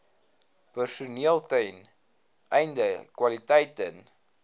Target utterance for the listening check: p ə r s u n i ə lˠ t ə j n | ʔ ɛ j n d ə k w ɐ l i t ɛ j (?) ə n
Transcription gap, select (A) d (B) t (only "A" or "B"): B